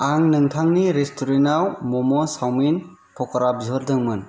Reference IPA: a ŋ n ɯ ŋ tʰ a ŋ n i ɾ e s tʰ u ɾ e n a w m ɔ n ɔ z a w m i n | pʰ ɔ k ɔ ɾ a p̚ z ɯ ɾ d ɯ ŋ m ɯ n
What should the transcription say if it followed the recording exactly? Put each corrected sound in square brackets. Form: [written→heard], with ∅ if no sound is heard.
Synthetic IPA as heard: a ŋ n ɯ ŋ tʰ a ŋ n i ɾ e s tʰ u ɾ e n a w m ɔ [n→m] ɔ [z→s] a w m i n | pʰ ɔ k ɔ ɾ a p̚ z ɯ ɾ d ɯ ŋ m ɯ n